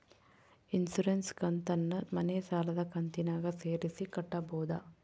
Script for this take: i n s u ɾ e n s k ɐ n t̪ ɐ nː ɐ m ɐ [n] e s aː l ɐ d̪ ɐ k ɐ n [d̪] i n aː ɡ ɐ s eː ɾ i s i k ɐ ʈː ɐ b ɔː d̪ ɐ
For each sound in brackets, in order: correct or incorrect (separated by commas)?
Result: correct, incorrect